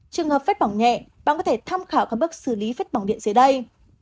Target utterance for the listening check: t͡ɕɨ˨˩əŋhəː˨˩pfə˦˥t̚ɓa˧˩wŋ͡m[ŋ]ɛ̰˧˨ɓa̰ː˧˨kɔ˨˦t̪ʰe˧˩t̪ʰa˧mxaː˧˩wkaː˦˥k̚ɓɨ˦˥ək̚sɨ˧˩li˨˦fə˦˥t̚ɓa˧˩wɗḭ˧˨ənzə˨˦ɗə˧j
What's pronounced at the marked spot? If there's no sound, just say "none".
ɲ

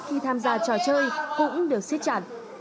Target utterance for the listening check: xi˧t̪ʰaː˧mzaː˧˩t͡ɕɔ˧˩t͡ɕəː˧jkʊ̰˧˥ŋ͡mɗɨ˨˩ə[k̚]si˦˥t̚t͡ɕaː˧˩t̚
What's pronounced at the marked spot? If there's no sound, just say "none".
k̚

